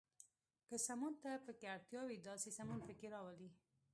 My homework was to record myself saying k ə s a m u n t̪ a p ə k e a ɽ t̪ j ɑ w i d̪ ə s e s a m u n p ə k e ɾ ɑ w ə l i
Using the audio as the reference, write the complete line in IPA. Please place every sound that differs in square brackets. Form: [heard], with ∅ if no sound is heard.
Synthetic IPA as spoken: k ə s a m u n t̪ a p ə k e a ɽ t̪ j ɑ w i d̪ [ɑ] s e s a m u n p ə k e ɾ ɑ w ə l i